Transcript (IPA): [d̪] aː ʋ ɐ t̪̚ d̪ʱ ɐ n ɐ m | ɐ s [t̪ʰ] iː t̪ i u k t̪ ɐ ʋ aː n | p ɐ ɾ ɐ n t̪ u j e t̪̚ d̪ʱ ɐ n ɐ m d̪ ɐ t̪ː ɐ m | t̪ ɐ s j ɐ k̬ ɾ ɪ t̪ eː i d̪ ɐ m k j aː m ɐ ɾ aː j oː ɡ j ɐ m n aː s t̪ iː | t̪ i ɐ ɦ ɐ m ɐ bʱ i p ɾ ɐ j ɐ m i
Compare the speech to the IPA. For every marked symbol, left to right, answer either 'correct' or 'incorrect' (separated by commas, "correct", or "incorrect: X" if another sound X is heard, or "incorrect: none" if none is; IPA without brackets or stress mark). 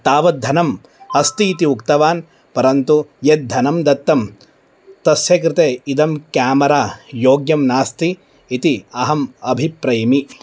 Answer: incorrect: t̪, incorrect: t̪